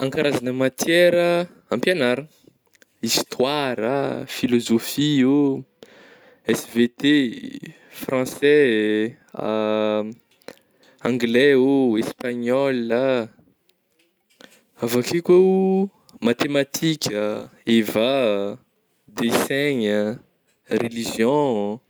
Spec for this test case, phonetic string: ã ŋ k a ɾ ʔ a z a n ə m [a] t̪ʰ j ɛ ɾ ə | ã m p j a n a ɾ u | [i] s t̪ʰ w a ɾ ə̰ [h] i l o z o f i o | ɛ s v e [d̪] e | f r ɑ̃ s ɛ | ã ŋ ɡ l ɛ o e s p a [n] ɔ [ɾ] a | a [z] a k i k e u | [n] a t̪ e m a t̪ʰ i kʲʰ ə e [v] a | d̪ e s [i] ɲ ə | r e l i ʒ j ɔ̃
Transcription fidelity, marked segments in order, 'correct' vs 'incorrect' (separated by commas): correct, correct, incorrect, incorrect, incorrect, incorrect, incorrect, incorrect, correct, incorrect